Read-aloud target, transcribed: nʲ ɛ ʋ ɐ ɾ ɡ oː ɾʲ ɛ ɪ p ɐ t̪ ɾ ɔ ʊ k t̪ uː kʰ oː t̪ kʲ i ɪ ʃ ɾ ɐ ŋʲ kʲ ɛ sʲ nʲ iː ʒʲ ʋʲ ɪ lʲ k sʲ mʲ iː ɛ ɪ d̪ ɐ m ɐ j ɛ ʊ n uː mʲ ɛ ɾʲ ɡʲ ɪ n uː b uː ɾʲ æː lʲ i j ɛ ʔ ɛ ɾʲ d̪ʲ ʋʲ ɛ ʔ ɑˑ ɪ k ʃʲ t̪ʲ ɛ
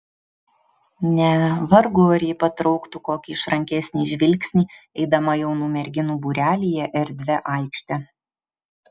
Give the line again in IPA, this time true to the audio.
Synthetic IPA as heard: nʲ ɛ ʋ ɐ ɾ ɡ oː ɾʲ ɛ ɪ p ɐ t̪ ɾ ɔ ʊ k t̪ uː k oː kʲ i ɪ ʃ ɾ ɐ ŋʲ kʲ ɛ sʲ nʲ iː ʒʲ ʋʲ ɪ lʲ k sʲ nʲ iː ɛ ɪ d̪ ɐ m ɐ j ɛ ʊ n uː mʲ ɛ ɾʲ ɡʲ ɪ n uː b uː ɾʲ æː lʲ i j ɛ ʔ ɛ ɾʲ d̪ʲ ʋʲ ɛ ʔ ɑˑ ɪ k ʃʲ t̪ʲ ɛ